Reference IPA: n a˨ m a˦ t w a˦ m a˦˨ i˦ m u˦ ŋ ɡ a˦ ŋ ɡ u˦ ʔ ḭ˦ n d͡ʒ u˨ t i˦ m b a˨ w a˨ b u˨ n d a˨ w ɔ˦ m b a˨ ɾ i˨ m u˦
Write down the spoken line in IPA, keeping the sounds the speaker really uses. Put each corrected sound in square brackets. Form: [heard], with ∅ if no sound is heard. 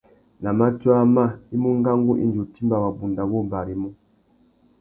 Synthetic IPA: n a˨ m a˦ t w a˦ m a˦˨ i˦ m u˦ ŋ ɡ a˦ ŋ ɡ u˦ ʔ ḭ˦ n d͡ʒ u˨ t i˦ m b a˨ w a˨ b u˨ n d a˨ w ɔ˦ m b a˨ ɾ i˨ m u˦